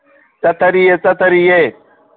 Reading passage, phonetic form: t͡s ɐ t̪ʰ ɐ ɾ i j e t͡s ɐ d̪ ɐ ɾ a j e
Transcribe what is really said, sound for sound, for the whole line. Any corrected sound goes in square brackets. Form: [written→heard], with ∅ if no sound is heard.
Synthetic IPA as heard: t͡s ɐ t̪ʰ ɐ ɾ i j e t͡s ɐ [d̪→t̪] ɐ ɾ [a→i] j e